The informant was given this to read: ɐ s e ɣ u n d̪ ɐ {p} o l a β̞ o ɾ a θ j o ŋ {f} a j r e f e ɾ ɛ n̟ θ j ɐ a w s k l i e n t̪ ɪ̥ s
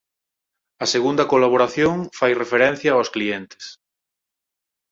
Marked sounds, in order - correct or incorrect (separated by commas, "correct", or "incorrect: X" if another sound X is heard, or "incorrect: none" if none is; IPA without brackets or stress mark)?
incorrect: k, correct